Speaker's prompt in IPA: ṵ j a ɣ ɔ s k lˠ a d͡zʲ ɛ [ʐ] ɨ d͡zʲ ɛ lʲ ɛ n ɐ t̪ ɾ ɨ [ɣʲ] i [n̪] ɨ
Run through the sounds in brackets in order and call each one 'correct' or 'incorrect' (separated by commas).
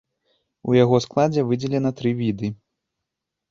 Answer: incorrect, incorrect, incorrect